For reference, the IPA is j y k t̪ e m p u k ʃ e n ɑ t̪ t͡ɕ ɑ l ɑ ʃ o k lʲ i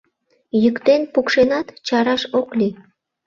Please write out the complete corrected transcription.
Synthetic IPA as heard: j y k t̪ e n p u k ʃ e n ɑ t̪ t͡ɕ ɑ ɾ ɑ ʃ o k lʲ i